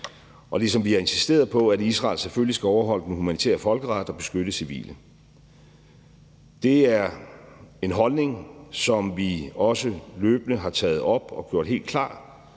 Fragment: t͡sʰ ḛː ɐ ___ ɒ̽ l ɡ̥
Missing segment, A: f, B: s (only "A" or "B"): A